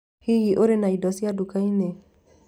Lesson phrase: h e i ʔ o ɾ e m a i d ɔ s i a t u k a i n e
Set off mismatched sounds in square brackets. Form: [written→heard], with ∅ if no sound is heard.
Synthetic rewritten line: h [e→i] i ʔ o ɾ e [m→n] a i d ɔ s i a [t→d] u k a i n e

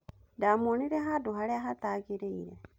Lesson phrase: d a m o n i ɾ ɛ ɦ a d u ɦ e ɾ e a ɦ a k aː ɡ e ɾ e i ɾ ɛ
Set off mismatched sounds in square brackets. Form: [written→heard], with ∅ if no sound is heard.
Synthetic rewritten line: d a m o n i ɾ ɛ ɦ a d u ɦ [e→a] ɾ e a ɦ a [k→t] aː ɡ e ɾ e i ɾ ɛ

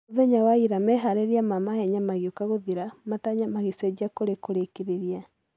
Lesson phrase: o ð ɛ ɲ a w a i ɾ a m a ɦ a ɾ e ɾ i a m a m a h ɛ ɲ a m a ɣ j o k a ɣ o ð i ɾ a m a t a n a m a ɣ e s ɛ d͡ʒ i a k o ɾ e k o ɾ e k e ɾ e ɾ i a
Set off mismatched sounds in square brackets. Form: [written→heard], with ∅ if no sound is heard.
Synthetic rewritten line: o ð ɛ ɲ a w a i ɾ a m [a→ɛ] ɦ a ɾ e ɾ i a m a m a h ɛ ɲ a m a ɣ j o k a ɣ o ð i ɾ a m a t a [n→ɲ] a m a ɣ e s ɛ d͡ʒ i a k o ɾ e k o ɾ e k e ɾ e ɾ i a

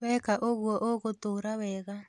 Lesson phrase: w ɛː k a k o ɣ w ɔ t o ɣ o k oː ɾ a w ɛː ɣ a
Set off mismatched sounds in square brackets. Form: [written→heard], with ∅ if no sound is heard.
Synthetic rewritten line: w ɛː k a [k→ʔ] o ɣ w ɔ [t→ʔ] o ɣ o [k→t] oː ɾ a w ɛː ɣ a

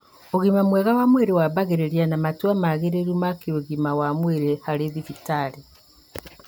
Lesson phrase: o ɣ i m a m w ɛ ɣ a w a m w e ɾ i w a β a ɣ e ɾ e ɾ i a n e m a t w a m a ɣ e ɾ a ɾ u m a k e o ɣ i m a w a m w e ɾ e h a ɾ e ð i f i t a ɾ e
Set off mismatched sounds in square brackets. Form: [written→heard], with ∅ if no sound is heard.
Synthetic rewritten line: o ɣ i m a m w ɛ ɣ a w a m w e ɾ [i→e] w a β a ɣ e ɾ e ɾ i a n [e→a] m a t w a m a ɣ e ɾ [a→e] ɾ u m a k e o ɣ i m a w a m w e ɾ e h a ɾ e ð i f i t a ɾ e

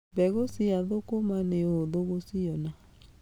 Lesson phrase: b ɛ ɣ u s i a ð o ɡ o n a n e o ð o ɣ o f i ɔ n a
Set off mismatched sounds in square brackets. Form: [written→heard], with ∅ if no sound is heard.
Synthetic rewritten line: b ɛ ɣ [u→o] s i a ð o [ɡ→k] o [n→m] a n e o ð o ɣ o [f→s] i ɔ n a

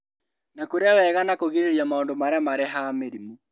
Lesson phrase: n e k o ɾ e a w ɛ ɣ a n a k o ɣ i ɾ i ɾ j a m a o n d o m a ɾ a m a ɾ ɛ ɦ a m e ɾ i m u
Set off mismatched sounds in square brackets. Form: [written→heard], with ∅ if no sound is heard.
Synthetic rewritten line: n [e→a] k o ɾ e a w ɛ ɣ a n a k o ɣ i ɾ [i→e] ɾ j a m a o n d o m a ɾ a m a ɾ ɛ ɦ a m e ɾ i m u

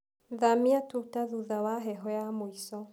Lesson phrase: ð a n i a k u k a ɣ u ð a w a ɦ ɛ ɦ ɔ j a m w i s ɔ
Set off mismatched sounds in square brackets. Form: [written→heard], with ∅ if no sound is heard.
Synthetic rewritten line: ð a [n→m] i a [k→t] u [k→t] a [ɣ→ð] u ð a w a ɦ ɛ ɦ ɔ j a m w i s ɔ

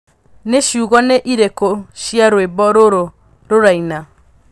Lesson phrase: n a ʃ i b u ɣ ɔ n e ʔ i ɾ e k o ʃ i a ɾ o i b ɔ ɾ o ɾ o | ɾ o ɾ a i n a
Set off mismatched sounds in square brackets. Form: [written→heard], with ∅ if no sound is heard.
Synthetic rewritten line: n [a→e] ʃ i [b→∅] u ɣ ɔ n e ʔ i ɾ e k o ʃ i a ɾ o [i→e] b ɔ ɾ o ɾ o | ɾ o ɾ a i n a

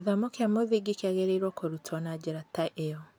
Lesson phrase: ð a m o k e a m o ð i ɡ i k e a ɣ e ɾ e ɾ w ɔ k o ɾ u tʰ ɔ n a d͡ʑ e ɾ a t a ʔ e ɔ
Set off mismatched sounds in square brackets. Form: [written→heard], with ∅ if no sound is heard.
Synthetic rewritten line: ð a m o k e a m o ð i ɡ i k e a ɣ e ɾ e ɾ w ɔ k o ɾ u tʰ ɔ n a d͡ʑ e ɾ a t a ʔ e ɔ

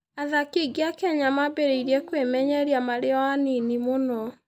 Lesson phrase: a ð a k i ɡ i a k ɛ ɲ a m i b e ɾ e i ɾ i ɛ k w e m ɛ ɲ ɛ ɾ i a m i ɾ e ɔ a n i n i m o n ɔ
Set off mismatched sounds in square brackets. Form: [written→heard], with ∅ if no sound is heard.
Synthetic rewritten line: a ð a k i ɡ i a k ɛ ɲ a m [i→a] b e ɾ e i ɾ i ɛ k w e m ɛ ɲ ɛ ɾ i a m [i→a] ɾ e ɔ a n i n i m o n ɔ

